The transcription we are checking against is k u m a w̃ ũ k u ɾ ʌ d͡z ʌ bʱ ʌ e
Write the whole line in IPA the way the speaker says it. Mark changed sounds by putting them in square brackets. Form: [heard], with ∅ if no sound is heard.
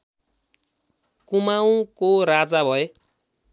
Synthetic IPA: k u m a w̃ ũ k [o] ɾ [a] d͡z [a] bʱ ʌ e